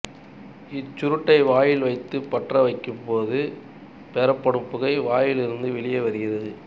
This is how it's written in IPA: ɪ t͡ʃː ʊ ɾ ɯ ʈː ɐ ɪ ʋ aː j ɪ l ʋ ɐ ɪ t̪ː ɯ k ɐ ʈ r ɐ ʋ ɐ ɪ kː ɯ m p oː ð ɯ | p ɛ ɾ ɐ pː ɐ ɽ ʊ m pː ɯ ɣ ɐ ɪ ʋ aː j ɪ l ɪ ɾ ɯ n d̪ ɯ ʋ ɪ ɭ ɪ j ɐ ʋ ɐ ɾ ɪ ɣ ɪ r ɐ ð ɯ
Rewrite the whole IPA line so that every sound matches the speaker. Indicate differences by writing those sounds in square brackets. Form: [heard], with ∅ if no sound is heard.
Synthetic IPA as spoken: ɪ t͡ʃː ʊ ɾ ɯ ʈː ɐ ɪ ʋ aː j ɪ l ʋ ɐ ɪ t̪ː ɯ [p] ɐ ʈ r ɐ ʋ ɐ ɪ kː ɯ m p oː ð ɯ | p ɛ ɾ ɐ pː ɐ ɽ [ɯ] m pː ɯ ɣ ɐ ɪ ʋ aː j ɪ l ɪ ɾ ɯ n d̪ ɯ ʋ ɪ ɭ ɪ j ɐ ʋ ɐ ɾ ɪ ɣ ɪ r ɐ ð ɯ

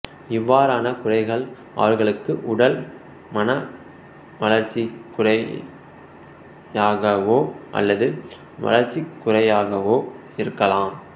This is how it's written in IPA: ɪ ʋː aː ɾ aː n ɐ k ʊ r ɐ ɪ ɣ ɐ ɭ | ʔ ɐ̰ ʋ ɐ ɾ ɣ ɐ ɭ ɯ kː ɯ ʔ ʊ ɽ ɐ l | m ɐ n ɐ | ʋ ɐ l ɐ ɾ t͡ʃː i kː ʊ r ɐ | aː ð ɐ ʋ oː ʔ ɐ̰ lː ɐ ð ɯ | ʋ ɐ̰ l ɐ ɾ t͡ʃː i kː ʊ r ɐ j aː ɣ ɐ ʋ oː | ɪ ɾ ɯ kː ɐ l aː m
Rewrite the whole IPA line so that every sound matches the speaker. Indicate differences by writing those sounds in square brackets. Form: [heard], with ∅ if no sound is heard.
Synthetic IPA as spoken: ɪ ʋː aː ɾ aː n ɐ k ʊ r ɐ ɪ ɣ ɐ ɭ | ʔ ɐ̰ ʋ ɐ ɾ ɣ ɐ ɭ ɯ kː ɯ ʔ ʊ ɽ ɐ l | m ɐ n ɐ | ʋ ɐ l ɐ ɾ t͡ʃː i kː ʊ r ɐ | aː [ɣ] ɐ ʋ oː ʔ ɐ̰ lː ɐ ð ɯ | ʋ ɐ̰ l ɐ ɾ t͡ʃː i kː ʊ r ɐ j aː ɣ ɐ ʋ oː | ɪ ɾ ɯ kː ɐ l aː m

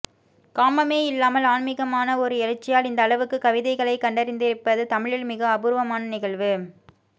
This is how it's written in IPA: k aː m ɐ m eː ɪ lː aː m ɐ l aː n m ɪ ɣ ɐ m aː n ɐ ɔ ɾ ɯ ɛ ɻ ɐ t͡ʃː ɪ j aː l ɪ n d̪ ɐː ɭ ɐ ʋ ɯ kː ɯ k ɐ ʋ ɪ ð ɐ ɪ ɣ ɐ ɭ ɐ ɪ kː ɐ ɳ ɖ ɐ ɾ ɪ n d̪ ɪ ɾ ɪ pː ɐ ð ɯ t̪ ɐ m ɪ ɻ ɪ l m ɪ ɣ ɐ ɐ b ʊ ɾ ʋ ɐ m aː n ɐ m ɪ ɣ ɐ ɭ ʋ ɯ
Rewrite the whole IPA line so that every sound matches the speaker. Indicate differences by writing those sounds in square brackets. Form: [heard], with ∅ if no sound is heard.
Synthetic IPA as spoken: k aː m ɐ m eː ɪ lː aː m ɐ l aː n m ɪ ɣ ɐ m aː n ɐ ɔ ɾ ɯ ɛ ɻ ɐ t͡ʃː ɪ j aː l ɪ n d̪ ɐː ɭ ɐ ʋ ɯ kː ɯ k ɐ ʋ ɪ ð ɐ ɪ ɣ ɐ ɭ ɐ ɪ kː ɐ ɳ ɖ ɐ ɾ ɪ n d̪ ɪ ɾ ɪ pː ɐ ð ɯ t̪ ɐ m ɪ ɻ ɪ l m ɪ ɣ ɐ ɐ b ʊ ɾ ʋ ɐ m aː n ɐ [n] ɪ ɣ ɐ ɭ ʋ ɯ

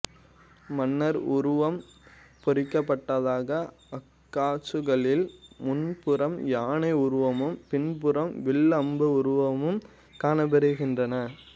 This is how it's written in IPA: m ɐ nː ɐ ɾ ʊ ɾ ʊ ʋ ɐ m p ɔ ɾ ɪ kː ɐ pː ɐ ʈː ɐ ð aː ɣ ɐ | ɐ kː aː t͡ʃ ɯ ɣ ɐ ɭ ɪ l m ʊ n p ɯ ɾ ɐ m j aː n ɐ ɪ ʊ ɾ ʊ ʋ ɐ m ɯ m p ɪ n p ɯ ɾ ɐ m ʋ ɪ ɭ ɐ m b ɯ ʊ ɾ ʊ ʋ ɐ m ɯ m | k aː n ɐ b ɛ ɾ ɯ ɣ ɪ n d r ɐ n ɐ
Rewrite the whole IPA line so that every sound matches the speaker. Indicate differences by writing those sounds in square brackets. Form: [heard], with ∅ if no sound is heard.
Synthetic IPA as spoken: m ɐ nː ɐ ɾ ʊ ɾ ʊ ʋ ɐ m p ɔ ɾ ɪ kː ɐ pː ɐ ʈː ɐ ð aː ɣ ɐ | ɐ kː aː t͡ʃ ɯ ɣ ɐ ɭ ɪ l m ʊ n p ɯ ɾ ɐ m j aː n ɐ ɪ ʊ ɾ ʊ ʋ ɐ m ɯ m p ɪ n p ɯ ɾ ɐ m ʋ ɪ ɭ ɐ m b ɯ ʊ ɾ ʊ ʋ ɐ m ɯ m | k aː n ɐ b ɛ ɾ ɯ ɣ ɪ n d r ɐ n ɐ

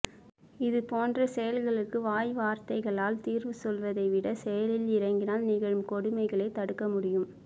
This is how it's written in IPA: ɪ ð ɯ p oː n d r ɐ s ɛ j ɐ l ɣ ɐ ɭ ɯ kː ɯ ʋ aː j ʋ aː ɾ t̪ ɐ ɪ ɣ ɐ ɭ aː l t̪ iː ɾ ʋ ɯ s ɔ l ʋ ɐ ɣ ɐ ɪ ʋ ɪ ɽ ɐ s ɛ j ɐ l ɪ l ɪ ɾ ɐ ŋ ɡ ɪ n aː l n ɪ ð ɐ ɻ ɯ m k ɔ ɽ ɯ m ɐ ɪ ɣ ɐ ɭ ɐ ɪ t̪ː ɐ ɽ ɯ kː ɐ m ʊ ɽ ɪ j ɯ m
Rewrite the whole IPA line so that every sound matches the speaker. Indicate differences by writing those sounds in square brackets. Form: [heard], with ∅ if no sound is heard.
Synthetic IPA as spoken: ɪ ð ɯ p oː n d r ɐ s ɛ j ɐ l ɣ ɐ ɭ ɯ kː ɯ ʋ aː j ʋ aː ɾ t̪ ɐ ɪ ɣ ɐ ɭ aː l t̪ iː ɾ ʋ ɯ s ɔ l ʋ ɐ [ð] ɐ ɪ ʋ ɪ ɽ ɐ s ɛ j ɐ l ɪ l ɪ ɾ ɐ ŋ ɡ ɪ n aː l n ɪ [ɣ] ɐ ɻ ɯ m k ɔ ɽ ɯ m ɐ ɪ ɣ ɐ ɭ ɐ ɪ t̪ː ɐ ɽ ɯ kː ɐ m ʊ ɽ ɪ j ɯ m

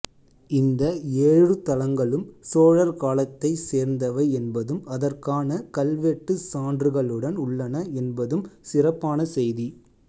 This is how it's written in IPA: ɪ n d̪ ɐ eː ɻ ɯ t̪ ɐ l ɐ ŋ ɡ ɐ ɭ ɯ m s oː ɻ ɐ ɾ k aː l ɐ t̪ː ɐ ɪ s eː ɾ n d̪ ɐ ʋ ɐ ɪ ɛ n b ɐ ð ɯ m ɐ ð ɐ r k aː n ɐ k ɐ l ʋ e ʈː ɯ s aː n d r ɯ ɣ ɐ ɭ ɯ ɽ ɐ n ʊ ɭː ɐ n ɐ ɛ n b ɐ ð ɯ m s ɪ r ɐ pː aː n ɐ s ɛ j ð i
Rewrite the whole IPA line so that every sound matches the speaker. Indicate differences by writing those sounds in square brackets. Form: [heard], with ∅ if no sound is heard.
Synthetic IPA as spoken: ɪ n d̪ ɐ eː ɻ ɯ t̪ ɐ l ɐ ŋ ɡ ɐ ɭ ɯ m s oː ɻ ɐ ɾ k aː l ɐ t̪ː ɐ ɪ s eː ɾ n d̪ ɐ ʋ ɐ ɪ ɛ n b ɐ ð ɯ m ɐ ð ɐ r k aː n ɐ k ɐ l ʋ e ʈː ɯ s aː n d r ɯ ɣ ɐ ɭ ɯ ɽ ɐ n ʊ ɭː ɐ n ɐ ɛ n b ɐ ð ɯ m s ɪ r ɐ pː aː n ɐ s ɛ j ð i

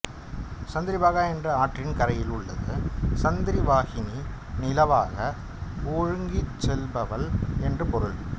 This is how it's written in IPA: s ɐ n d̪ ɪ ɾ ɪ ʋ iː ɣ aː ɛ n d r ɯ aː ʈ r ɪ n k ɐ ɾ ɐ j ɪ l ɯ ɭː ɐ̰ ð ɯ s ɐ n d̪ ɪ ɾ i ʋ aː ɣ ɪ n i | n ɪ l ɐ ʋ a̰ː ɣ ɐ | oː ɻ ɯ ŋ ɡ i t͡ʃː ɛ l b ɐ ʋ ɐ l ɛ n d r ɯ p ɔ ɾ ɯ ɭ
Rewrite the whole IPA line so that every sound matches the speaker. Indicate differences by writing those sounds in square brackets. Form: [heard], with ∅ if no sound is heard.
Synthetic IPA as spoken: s ɐ n d̪ ɪ ɾ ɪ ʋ [aː] ɣ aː ɛ n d r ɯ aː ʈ r ɪ n k ɐ ɾ ɐ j ɪ l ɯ ɭː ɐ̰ ð ɯ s ɐ n d̪ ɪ ɾ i ʋ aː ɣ ɪ n i | n ɪ l ɐ ʋ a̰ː ɣ ɐ | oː ɻ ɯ ŋ ɡ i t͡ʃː ɛ l b ɐ ʋ ɐ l ɛ n d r ɯ p ɔ ɾ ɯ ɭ

